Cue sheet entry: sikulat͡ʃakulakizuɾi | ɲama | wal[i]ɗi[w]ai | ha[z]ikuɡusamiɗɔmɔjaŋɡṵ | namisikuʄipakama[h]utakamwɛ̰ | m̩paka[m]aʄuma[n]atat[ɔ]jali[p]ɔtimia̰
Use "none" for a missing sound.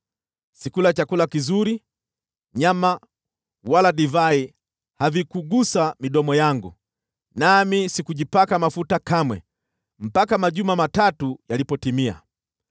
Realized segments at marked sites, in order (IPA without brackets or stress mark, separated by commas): a, v, v, f, m, m, u, p